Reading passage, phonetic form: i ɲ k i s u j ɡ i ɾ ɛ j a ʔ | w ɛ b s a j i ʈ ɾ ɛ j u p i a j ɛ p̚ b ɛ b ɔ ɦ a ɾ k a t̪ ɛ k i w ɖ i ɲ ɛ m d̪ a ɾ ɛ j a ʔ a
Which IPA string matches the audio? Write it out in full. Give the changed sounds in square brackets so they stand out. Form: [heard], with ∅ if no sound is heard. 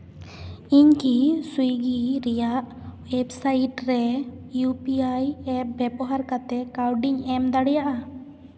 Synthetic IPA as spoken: i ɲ k i s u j ɡ i ɾ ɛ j a ʔ | w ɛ b s a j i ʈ ɾ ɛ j u p i a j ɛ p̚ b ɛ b ɔ ɦ a ɾ k a t̪ ɛ k [a] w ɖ i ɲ ɛ m d̪ a [ɽ] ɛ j a ʔ a